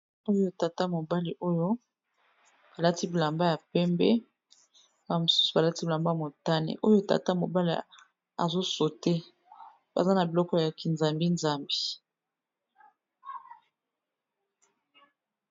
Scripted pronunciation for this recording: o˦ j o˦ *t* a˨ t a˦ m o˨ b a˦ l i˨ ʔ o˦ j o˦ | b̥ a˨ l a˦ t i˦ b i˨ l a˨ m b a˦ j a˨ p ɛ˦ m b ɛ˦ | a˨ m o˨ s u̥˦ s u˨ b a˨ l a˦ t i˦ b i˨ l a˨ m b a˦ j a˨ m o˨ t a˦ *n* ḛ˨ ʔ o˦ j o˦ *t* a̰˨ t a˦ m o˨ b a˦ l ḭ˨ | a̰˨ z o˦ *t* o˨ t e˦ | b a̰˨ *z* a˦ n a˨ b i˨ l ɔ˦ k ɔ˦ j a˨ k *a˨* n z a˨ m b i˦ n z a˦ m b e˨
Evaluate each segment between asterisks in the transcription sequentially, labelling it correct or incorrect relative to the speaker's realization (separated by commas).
correct, correct, correct, incorrect, correct, incorrect